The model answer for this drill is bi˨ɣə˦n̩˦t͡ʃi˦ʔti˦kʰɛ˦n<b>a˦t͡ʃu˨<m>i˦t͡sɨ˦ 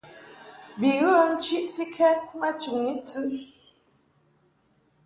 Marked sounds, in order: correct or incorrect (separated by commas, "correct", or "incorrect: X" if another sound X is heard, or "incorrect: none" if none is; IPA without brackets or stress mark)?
incorrect: m, incorrect: ŋ